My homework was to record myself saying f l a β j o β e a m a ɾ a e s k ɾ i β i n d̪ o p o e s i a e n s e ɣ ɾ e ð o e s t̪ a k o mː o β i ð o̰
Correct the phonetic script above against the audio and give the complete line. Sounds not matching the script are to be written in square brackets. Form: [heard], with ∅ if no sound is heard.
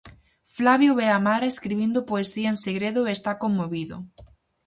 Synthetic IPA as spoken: f l a β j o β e a m a ɾ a e s k ɾ i β i n d̪ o p o e s i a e n s e ɣ ɾ e ð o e s t̪ a k o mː o β i ð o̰